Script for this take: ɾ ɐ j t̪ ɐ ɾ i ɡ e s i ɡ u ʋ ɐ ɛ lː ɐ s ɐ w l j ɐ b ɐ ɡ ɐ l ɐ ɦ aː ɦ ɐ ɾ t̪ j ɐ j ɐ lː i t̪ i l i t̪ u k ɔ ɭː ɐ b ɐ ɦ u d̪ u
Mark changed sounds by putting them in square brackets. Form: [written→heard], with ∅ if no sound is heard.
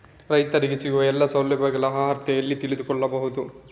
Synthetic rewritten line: ɾ ɐ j t̪ ɐ ɾ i ɡ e s i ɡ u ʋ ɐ ɛ lː ɐ s ɐ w l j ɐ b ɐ ɡ ɐ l ɐ ɦ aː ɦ ɐ ɾ t̪ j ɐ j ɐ lː i t̪ i l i [t̪→d̪] u k ɔ ɭː ɐ b ɐ ɦ u d̪ u